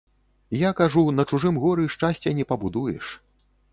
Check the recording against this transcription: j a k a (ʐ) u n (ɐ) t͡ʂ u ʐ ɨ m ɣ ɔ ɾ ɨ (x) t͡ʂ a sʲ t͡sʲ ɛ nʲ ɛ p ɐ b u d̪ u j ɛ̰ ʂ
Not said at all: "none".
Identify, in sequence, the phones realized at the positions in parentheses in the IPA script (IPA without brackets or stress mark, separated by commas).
ʐ, ɐ, ʂ